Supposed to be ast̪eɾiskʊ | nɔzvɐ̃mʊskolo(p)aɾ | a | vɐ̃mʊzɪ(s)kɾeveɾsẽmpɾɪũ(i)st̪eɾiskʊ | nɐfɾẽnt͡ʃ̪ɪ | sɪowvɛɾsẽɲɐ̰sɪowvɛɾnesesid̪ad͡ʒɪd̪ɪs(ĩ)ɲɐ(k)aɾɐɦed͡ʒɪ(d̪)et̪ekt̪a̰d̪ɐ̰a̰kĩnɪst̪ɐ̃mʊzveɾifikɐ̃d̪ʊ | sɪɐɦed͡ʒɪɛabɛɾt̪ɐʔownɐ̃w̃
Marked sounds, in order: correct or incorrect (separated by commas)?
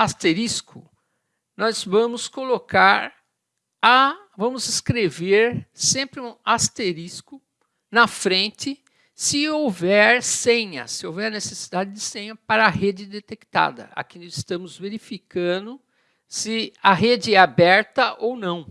incorrect, correct, incorrect, incorrect, incorrect, correct